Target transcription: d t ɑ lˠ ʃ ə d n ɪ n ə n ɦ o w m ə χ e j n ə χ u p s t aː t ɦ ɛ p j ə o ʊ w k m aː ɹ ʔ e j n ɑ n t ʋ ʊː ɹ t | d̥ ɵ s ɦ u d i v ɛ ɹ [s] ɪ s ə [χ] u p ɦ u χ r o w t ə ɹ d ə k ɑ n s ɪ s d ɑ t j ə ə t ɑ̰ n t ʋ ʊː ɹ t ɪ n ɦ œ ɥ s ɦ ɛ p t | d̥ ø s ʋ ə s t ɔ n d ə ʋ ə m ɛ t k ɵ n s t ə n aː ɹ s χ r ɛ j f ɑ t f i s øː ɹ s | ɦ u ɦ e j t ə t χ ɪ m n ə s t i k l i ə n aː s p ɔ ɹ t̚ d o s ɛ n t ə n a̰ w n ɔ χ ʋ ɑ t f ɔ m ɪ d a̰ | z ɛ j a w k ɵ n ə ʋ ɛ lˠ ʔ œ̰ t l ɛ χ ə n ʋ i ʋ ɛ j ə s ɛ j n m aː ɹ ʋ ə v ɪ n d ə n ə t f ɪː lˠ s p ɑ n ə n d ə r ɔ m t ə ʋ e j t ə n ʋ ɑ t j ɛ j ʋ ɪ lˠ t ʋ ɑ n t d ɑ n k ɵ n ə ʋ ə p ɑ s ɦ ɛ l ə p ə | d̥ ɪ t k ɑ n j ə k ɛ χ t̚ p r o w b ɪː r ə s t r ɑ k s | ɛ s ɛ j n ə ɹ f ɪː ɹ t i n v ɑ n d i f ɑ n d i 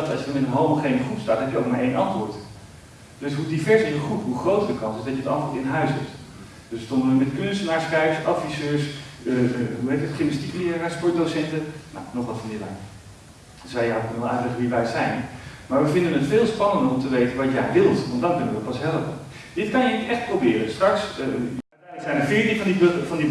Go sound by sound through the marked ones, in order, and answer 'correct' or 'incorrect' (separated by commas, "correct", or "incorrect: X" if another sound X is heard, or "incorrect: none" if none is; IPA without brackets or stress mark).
correct, correct